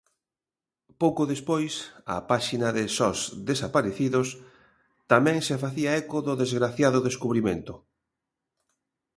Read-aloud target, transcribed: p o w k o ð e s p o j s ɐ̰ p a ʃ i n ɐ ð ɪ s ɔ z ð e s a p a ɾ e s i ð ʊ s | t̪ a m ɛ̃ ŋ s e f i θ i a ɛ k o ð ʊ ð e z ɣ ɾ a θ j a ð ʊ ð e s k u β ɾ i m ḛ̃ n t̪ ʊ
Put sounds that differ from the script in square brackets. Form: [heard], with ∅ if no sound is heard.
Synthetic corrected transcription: p o w k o ð e s p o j s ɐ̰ p a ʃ i n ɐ ð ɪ s ɔ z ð e s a p a ɾ e [θ] i ð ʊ s | t̪ a m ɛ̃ ŋ s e f [a] θ i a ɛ k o ð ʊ ð e z ɣ ɾ a θ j a ð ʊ ð e s k u β ɾ i m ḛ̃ n t̪ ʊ